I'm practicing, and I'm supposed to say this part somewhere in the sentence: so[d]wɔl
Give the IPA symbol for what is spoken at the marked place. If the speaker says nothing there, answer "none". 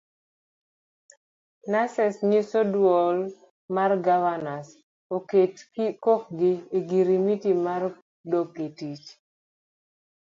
d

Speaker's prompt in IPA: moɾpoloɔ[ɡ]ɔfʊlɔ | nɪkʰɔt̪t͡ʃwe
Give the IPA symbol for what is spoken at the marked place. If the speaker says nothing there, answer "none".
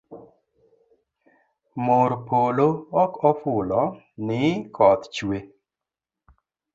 k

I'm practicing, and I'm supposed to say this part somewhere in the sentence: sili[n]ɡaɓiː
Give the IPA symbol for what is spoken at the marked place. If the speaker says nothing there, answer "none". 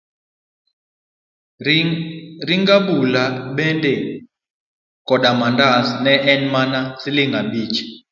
ŋ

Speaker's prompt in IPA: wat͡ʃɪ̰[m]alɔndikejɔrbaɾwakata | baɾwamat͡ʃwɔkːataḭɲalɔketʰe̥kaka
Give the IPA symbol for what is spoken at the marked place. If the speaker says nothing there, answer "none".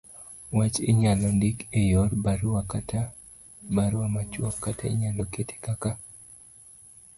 ɲ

